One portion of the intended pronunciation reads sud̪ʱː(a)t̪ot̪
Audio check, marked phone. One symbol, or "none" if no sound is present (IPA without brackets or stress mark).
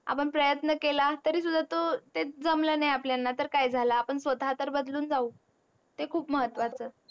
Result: a